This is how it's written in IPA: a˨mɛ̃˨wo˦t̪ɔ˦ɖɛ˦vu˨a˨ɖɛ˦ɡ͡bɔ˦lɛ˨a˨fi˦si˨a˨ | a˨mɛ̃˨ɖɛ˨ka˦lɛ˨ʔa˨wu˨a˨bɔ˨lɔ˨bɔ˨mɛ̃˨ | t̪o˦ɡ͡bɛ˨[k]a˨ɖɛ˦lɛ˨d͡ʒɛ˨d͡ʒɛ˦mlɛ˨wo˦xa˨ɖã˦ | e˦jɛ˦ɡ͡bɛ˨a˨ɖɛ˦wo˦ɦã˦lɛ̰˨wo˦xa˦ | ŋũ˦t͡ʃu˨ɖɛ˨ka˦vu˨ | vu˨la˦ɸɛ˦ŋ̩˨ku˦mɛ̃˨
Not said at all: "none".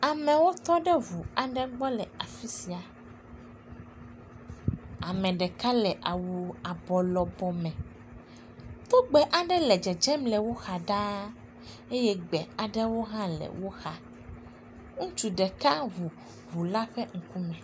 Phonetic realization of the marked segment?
ʔ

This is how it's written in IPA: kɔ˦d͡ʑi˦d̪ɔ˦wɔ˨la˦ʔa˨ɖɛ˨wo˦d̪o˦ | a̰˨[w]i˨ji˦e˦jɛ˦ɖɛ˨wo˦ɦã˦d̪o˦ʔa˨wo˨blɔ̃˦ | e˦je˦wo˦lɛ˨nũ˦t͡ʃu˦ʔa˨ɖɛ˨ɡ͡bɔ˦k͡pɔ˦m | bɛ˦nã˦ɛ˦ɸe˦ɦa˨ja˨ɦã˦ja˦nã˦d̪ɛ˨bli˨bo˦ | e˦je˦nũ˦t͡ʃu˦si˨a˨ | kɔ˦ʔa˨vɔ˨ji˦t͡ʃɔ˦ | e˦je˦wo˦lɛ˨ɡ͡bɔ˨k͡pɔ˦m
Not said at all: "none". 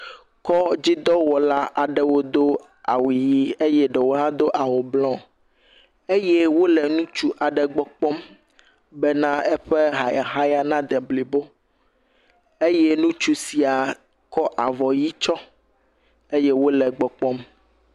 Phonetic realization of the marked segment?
w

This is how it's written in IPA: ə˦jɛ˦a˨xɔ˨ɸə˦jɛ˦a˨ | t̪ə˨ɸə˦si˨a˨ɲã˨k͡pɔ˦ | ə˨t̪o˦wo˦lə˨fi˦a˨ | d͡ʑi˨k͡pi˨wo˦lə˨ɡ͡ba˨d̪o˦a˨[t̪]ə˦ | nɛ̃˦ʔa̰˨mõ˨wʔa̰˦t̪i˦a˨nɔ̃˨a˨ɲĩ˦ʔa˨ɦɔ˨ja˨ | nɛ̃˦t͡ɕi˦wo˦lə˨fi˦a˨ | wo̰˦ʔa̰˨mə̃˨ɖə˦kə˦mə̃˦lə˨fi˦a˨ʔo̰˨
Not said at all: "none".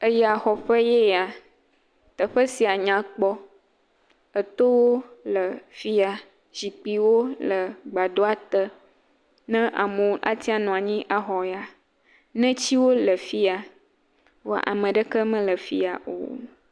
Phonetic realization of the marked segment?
t̪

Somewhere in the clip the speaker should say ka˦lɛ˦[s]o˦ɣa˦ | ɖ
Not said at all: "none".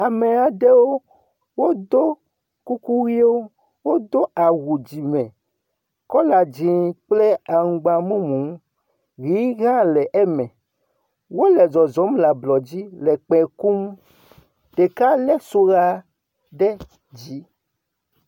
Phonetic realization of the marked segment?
s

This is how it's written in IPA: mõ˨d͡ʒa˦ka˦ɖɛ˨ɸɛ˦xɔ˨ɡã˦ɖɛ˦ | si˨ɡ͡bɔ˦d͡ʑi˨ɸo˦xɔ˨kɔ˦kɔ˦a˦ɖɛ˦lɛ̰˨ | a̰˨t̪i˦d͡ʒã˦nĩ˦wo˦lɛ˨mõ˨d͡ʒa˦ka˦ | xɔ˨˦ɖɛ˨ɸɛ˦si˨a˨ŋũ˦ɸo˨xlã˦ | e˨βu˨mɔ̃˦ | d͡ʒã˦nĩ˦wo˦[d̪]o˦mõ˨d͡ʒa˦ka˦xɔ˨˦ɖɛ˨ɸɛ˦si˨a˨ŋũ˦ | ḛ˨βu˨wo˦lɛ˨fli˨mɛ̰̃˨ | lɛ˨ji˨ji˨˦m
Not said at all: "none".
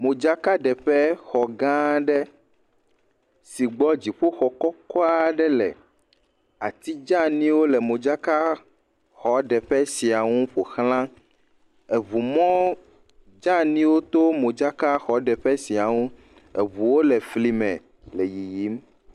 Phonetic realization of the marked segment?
t̪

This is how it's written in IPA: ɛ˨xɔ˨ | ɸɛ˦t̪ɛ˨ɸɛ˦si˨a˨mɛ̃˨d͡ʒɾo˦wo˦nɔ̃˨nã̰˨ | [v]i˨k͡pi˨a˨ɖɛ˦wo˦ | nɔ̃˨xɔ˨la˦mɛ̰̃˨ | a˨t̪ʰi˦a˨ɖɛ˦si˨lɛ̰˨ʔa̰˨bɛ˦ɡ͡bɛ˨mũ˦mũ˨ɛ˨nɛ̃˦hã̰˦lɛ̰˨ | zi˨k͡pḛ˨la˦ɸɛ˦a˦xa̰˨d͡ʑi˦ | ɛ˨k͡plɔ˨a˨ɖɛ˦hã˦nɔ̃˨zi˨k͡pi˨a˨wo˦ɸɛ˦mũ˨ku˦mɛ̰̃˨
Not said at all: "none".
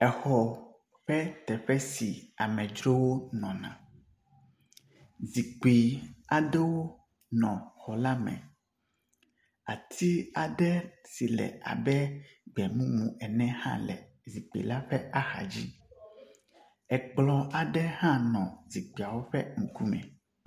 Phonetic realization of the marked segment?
z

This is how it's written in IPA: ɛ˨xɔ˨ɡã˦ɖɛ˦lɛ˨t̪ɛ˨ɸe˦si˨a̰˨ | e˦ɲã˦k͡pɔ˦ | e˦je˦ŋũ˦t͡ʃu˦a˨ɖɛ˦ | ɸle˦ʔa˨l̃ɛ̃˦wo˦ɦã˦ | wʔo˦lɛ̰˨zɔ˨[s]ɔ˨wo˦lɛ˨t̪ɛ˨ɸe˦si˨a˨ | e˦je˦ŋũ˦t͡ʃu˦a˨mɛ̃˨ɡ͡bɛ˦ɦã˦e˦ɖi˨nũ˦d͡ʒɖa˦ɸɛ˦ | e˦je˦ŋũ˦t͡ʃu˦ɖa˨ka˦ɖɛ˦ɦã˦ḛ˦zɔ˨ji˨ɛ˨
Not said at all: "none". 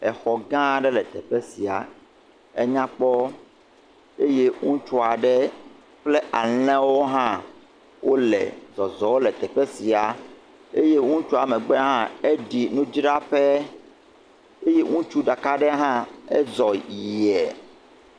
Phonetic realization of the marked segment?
z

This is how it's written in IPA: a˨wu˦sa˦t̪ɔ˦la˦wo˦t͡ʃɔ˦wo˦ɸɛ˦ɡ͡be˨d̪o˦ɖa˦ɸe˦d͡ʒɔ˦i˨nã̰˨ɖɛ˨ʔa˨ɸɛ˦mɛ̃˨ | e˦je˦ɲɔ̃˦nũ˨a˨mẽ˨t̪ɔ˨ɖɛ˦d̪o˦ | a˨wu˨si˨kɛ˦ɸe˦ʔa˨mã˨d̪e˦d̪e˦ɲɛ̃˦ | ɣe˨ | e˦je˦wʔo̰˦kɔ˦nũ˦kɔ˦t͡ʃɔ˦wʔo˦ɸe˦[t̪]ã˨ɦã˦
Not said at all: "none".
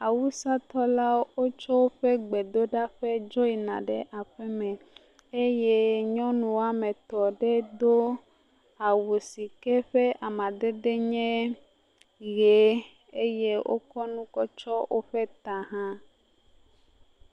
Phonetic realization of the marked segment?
t̪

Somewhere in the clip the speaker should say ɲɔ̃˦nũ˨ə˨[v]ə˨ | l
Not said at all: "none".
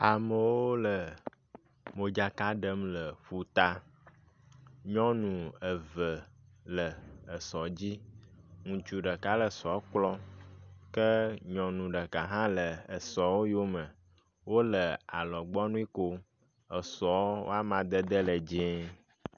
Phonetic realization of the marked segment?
v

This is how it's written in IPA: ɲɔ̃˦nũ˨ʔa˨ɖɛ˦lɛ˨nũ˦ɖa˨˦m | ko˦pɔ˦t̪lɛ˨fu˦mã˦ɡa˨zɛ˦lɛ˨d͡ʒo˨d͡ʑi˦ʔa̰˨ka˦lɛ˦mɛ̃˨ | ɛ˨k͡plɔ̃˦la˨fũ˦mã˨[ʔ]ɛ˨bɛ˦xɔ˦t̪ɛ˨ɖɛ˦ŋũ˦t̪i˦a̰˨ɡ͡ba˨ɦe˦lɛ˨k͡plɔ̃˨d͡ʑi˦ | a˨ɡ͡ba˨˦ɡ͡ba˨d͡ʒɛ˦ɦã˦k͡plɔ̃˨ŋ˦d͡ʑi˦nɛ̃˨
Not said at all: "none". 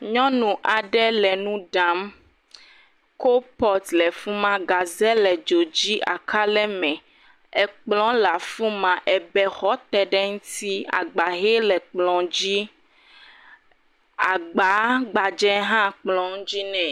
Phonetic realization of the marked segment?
ʔ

